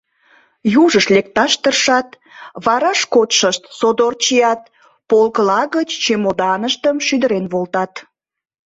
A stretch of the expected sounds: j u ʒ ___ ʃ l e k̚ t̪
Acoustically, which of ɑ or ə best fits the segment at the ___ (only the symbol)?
ə